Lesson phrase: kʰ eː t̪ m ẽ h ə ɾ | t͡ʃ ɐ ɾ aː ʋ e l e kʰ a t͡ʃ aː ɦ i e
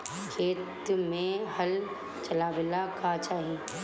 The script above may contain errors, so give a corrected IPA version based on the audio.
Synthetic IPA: kʰ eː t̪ m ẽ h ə l | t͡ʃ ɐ l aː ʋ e l a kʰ a t͡ʃ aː ɦ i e